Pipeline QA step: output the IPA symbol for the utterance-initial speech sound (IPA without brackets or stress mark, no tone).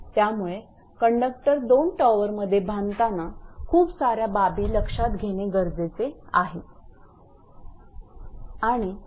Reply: t̪